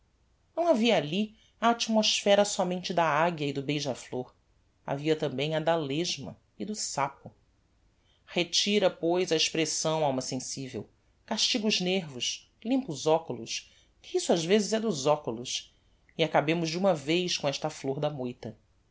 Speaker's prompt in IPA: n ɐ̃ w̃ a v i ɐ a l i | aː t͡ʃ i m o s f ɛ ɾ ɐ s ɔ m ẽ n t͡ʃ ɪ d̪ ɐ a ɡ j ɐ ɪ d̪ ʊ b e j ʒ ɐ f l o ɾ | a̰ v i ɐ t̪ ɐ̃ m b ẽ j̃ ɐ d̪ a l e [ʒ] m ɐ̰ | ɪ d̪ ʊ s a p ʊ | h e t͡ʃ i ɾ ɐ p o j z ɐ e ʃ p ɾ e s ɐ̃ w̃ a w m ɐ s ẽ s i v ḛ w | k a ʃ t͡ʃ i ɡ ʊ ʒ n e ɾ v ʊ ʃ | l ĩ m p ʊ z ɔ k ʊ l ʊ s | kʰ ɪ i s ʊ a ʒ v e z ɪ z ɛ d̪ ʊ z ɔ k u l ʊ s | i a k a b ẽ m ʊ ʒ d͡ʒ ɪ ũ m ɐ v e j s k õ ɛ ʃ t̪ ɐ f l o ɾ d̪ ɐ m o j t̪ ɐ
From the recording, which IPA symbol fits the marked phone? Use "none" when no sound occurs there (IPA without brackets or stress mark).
ʒ